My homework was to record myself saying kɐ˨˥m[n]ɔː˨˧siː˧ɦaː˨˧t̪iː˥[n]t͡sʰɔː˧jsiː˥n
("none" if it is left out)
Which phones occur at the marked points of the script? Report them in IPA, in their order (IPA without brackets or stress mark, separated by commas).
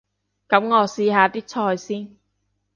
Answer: ŋ, none